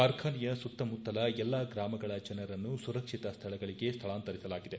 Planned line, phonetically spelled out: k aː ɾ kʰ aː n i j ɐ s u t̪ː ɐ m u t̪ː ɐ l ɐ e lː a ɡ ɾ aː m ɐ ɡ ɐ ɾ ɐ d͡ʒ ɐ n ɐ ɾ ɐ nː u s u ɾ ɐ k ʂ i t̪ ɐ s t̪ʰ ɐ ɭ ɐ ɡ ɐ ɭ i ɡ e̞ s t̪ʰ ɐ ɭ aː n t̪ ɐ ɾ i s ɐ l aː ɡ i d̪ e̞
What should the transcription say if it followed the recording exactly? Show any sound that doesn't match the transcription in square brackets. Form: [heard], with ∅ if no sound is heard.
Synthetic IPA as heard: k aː ɾ kʰ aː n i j ɐ s u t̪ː ɐ m u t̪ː ɐ l ɐ [ɛ] lː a ɡ ɾ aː m ɐ ɡ ɐ [ɭ] ɐ d͡ʒ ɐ n ɐ ɾ ɐ nː u s u ɾ ɐ k ʂ i t̪ ɐ s t̪ʰ ɐ ɭ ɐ ɡ ɐ ɭ i ɡ e̞ s t̪ʰ ɐ ɭ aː n t̪ ɐ ɾ i s ɐ l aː ɡ i d̪ e̞